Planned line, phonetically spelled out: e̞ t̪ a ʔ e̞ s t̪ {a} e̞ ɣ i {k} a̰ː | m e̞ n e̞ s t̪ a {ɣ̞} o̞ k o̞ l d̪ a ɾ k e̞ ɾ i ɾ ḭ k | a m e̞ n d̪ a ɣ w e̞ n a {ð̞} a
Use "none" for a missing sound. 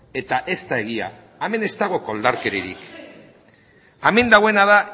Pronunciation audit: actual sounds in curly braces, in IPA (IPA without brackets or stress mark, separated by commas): a, none, ɣ̞, ð̞